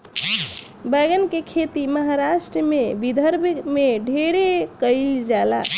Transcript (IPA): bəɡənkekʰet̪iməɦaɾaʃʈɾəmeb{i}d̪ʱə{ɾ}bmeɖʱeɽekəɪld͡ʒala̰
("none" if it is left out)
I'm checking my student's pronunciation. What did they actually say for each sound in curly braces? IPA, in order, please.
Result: i, ɾ

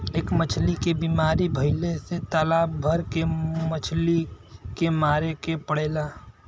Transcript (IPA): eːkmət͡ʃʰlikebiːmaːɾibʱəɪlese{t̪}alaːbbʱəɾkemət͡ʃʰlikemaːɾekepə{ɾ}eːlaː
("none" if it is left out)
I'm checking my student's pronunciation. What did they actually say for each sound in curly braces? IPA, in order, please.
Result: t̪, ɽ

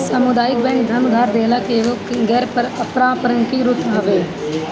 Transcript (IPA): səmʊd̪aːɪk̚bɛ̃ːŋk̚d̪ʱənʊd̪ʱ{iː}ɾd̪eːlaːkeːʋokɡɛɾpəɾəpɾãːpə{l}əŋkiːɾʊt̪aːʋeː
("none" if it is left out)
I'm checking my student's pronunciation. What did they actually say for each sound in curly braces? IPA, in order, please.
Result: aː, ɾ

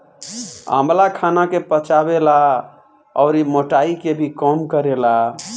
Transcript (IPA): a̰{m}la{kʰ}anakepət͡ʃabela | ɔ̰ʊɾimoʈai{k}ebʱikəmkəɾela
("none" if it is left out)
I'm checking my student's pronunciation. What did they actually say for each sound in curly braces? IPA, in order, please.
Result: m, kʰ, k

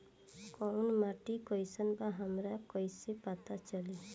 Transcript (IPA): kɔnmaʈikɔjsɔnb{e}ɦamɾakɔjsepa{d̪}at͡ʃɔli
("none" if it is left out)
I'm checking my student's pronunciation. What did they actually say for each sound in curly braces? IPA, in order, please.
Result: a, t̪

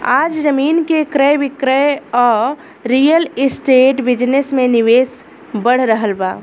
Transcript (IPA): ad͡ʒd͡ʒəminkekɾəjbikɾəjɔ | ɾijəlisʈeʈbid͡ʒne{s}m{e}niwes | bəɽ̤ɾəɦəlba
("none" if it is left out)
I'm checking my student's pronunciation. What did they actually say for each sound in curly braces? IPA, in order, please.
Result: s, e

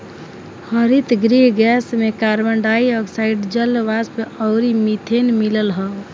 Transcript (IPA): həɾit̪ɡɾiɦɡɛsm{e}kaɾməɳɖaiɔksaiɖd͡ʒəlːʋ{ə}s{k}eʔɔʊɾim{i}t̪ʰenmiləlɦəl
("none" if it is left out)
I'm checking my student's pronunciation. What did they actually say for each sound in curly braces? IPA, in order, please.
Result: e, a, p, i

